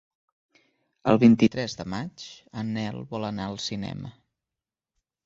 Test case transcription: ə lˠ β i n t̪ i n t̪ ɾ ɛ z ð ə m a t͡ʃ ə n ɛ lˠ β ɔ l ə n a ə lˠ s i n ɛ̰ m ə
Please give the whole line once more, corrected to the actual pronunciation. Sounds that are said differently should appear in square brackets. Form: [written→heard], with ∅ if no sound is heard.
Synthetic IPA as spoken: ə lˠ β i n t̪ i [n→∅] t̪ ɾ ɛ z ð ə m a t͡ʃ ə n ɛ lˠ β ɔ l ə n a ə lˠ s i n ɛ̰ m ə

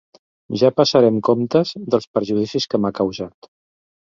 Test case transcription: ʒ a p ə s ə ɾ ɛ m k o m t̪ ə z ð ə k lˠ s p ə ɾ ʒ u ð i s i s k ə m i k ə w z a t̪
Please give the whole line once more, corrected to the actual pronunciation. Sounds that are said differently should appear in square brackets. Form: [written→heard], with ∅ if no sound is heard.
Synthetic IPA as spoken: ʒ a p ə s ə ɾ ɛ m k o m t̪ ə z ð ə [k→∅] lˠ s p ə ɾ ʒ u ð i s i s k ə m [i→a] k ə w z a t̪

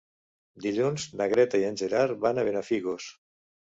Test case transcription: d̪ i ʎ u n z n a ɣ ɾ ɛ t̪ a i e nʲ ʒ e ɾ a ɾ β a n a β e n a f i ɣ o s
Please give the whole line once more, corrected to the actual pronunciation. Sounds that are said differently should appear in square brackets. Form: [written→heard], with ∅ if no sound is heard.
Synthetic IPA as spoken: d̪ i ʎ u n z n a ɣ ɾ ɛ t̪ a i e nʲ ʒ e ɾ a ɾ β a n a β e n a f i ɣ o s

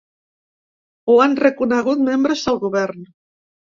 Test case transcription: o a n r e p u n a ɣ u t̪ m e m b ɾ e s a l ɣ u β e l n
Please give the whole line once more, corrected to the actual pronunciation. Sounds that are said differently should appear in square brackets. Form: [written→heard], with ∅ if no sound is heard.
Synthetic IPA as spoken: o a n r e [p→k] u n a ɣ u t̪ m e m b ɾ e s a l ɣ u β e [l→ɾ] n

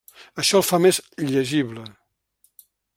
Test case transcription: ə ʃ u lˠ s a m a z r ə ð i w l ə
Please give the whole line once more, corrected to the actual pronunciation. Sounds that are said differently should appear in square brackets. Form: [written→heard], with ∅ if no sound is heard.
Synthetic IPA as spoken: ə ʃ [u→ɔ] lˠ [s→f] a m [a→e] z [r→ʎ] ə [ð→ʒ] i [w→β] l ə

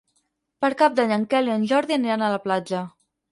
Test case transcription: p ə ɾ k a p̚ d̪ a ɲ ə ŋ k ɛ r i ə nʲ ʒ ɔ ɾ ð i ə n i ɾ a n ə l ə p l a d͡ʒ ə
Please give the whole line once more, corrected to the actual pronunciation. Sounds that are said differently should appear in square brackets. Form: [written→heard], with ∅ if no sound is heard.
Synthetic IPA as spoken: p ə ɾ k a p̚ d̪ a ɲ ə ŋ k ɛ [r→l] i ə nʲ ʒ ɔ ɾ ð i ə n i ɾ a n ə l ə p l a d͡ʒ ə

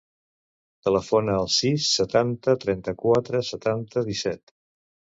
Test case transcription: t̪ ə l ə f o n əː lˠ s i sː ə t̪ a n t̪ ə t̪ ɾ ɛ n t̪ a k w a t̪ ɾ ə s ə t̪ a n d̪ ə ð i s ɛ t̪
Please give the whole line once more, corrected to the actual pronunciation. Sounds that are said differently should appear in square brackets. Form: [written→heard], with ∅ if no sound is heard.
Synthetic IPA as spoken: t̪ ə l ə f o n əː lˠ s i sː ə t̪ a n t̪ ə t̪ ɾ ɛ n t̪ [a→ə] k w a t̪ ɾ ə s ə t̪ a n [d̪→t̪] ə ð i s ɛ t̪

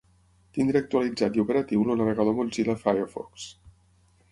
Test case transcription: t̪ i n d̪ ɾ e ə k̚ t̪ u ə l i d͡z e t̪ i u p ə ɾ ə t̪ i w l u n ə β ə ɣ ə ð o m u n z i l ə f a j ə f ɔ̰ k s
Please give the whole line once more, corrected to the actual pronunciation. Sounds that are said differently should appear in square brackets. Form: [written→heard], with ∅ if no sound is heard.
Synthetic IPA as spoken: t̪ i n d̪ ɾ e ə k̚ t̪ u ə l i d͡z [e→a] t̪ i u p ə ɾ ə t̪ i w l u n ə β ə ɣ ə ð o m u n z i l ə f a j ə f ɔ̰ k s

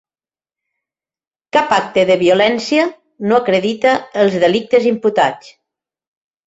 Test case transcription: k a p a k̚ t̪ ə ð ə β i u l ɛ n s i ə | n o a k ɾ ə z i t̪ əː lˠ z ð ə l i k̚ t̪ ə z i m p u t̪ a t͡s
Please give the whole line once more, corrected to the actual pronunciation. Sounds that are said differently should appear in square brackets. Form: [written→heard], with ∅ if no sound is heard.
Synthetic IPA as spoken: k a p a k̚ t̪ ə ð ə β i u l ɛ n s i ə | n o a k ɾ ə [z→ð] i t̪ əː lˠ z ð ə l i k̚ t̪ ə z i m p u t̪ a t͡s

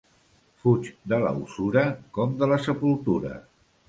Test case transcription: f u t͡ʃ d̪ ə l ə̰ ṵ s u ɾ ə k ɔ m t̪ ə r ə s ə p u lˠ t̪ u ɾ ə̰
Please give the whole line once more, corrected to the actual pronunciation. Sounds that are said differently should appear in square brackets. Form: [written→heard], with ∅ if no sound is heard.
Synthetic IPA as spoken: f u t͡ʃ d̪ ə l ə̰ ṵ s u ɾ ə k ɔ m [t̪→d̪] ə [r→l] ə s ə p u lˠ t̪ u ɾ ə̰

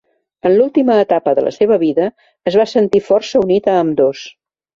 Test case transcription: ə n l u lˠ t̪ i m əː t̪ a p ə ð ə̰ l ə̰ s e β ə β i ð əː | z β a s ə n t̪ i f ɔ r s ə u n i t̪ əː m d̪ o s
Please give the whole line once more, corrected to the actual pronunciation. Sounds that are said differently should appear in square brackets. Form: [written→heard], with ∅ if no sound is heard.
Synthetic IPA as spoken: ə n l u lˠ t̪ i m əː t̪ a p ə ð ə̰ l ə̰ s e β ə β i ð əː | z β a s ə n t̪ i f ɔ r s ə u n i t̪ əː m d̪ o s

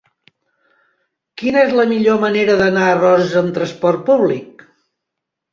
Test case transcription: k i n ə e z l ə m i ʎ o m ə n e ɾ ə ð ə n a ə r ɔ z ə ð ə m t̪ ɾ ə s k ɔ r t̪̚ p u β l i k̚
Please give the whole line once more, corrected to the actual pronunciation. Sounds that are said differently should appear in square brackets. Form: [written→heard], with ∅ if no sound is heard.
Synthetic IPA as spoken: k i n ə e z l ə m i ʎ o m ə n e ɾ ə ð ə n a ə r ɔ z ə [ð→z] ə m t̪ ɾ ə s [k→p] ɔ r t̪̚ p u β l i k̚

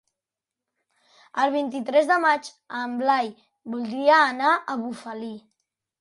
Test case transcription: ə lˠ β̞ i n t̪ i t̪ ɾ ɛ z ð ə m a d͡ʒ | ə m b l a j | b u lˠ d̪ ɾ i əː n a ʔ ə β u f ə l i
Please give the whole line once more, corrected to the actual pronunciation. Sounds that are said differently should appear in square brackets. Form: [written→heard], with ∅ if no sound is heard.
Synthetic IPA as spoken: ə lˠ β̞ i n t̪ i t̪ ɾ ɛ z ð ə m a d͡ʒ | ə m b l a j | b u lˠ d̪ ɾ i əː n a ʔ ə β u f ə l i

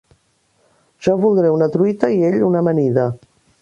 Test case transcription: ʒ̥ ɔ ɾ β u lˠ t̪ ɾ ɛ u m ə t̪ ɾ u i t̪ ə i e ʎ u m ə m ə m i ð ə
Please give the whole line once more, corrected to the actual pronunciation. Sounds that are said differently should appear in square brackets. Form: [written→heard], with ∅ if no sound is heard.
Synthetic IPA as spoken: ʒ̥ ɔ [ɾ→∅] β u lˠ [t̪→d̪] ɾ ɛ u [m→n] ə t̪ ɾ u i t̪ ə i e ʎ u [m→n] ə m ə [m→n] i ð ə

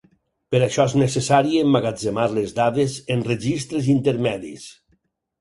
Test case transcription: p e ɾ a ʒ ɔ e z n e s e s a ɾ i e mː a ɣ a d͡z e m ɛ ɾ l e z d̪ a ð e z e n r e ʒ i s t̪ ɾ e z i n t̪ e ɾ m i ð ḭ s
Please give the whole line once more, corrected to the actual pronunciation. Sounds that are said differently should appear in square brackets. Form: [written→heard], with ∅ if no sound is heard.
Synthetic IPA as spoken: p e ɾ a [ʒ→ʃ] ɔ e z n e s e s a ɾ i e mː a ɣ a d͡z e m [ɛ→a] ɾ l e z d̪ a ð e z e n r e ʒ i s t̪ ɾ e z i n t̪ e ɾ m [i→ɛ] ð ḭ s

